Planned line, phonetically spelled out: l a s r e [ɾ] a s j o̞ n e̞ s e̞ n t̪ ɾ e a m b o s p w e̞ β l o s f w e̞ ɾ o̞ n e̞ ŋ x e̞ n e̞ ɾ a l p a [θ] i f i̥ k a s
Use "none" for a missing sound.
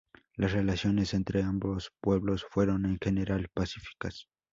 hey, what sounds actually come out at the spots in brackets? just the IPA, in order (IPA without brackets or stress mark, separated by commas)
l, s